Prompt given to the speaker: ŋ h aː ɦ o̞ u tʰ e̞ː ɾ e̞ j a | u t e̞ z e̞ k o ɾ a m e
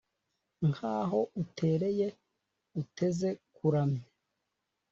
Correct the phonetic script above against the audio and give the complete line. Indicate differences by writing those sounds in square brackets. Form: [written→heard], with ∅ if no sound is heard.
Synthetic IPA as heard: ŋ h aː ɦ o̞ u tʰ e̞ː ɾ e̞ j [a→e] | u t e̞ z e̞ k [o→u] ɾ a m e